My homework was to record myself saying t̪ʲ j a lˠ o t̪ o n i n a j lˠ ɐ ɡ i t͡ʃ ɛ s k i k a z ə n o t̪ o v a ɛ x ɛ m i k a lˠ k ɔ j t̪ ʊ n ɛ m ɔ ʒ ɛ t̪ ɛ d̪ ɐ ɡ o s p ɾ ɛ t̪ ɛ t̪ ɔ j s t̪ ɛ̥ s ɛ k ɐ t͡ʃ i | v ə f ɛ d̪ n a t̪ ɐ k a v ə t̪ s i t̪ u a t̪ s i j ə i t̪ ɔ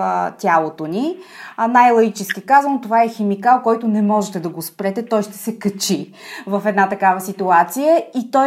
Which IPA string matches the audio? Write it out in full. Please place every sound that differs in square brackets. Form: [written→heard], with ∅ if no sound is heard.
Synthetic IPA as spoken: t̪ʲ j a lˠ o t̪ o n i n a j lˠ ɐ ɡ i t͡ʃ ɛ s k i k a z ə n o t̪ o v a ɛ x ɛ m i k a lˠ k ɔ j t̪ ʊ n ɛ m ɔ ʒ ɛ t̪ ɛ d̪ ɐ ɡ o s p ɾ ɛ t̪ ɛ t̪ ɔ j [s→ʃ] t̪ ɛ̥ s ɛ k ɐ t͡ʃ i | v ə f ɛ d̪ n a t̪ ɐ k a v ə [t̪→∅] s i t̪ u a t̪ s i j ə i t̪ ɔ